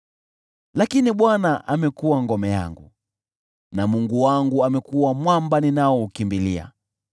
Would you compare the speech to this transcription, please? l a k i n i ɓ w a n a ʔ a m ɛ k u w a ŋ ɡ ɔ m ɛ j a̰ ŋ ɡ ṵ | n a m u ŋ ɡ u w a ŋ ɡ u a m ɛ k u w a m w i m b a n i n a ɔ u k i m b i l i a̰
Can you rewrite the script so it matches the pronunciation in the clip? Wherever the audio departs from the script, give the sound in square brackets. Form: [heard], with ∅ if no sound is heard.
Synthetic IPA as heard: l a k i n i ɓ w a n a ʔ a m ɛ k u w a ŋ ɡ ɔ m ɛ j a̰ ŋ ɡ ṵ | n a m u ŋ ɡ u w a ŋ ɡ u a m ɛ k u w a m w [a] m b a n i n a ɔ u k i m b i l i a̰